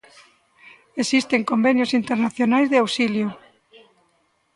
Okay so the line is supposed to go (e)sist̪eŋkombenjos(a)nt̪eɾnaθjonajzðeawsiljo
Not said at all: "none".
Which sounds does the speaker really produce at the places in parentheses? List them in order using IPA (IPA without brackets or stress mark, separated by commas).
e, i